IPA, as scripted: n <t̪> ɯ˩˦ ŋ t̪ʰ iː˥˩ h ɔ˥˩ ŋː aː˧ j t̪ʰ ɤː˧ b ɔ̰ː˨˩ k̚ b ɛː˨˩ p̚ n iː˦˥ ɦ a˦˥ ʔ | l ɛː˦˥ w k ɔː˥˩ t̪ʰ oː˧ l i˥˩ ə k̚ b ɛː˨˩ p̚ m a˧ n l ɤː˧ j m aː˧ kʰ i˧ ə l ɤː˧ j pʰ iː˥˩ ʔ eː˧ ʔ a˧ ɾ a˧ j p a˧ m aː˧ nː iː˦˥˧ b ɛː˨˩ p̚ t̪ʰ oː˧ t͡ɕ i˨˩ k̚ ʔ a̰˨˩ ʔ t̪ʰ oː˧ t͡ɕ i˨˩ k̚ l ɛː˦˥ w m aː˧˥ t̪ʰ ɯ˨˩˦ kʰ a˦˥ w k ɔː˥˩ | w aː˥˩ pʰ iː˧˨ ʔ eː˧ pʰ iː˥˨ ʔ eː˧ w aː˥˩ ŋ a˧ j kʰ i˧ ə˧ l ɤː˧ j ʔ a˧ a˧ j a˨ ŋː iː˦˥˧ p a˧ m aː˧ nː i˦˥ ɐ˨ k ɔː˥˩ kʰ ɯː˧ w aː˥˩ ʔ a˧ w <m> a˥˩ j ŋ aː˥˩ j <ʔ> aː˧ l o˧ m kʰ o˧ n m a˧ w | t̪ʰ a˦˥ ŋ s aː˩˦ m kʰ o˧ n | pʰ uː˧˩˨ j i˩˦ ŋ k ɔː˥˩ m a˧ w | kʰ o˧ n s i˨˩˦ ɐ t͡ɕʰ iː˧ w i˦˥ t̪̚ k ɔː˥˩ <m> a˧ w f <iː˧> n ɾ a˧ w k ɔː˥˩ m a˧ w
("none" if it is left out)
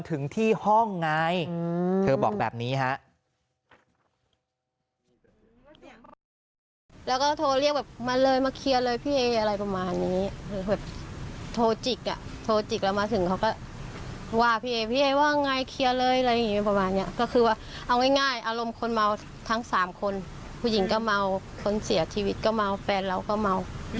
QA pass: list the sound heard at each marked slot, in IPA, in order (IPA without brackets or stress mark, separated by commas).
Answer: t̪ʰ, ŋ, ʔ, m, ɛː˧